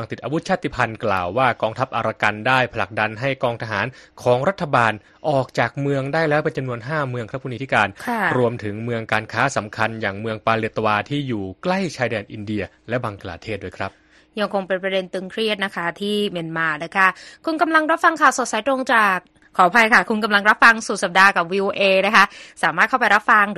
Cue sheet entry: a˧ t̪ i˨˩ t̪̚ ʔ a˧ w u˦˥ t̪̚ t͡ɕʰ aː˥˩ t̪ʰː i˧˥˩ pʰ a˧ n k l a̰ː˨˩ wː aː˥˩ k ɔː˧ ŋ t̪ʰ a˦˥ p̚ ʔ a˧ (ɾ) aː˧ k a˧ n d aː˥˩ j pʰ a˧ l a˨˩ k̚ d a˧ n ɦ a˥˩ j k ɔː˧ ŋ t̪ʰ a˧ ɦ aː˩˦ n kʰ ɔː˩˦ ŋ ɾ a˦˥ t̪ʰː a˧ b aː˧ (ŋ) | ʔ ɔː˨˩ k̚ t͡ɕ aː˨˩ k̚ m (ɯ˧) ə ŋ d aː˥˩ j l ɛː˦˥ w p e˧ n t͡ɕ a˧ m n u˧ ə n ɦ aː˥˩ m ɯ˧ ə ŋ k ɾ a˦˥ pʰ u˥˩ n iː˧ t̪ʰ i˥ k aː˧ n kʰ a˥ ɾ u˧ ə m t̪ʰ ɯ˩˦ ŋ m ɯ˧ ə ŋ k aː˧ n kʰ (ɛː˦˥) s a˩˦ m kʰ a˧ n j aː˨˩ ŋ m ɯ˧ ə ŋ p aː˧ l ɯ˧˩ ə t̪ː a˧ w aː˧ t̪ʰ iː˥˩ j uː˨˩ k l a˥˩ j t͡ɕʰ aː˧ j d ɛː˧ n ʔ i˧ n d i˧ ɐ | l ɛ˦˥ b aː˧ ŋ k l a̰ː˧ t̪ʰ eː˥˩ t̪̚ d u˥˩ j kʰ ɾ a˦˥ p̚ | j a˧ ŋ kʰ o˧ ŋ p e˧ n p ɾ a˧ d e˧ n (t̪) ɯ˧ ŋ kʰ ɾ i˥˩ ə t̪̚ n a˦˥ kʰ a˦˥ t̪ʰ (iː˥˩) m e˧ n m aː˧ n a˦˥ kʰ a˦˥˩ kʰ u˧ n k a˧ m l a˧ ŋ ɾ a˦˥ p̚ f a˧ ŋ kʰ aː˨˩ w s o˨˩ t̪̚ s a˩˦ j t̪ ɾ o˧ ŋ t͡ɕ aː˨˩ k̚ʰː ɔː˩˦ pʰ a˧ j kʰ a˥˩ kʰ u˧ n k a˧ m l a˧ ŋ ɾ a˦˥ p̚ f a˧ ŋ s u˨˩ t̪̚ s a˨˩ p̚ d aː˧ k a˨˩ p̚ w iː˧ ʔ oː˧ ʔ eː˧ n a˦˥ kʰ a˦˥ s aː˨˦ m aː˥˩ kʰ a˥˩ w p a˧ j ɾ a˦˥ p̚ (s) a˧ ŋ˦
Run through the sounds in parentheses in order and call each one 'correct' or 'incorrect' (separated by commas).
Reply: correct, incorrect, correct, incorrect, correct, correct, incorrect